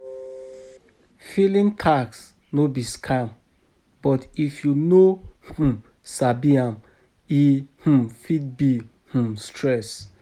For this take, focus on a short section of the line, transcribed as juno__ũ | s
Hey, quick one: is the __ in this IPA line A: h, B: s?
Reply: A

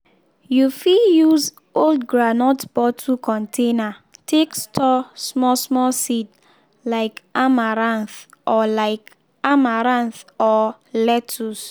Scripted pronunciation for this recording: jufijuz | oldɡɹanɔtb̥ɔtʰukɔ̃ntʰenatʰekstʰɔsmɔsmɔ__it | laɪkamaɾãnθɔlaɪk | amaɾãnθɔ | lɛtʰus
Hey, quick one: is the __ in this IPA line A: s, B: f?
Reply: A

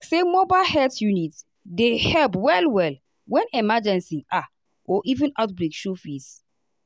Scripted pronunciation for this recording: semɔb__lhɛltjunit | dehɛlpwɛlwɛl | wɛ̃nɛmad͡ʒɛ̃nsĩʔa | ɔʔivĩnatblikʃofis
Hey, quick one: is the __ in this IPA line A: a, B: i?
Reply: A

